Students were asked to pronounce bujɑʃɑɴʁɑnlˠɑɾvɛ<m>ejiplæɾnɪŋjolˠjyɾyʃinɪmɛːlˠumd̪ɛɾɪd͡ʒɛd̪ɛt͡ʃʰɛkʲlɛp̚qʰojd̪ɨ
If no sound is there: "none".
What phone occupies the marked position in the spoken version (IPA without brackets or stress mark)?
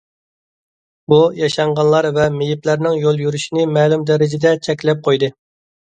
m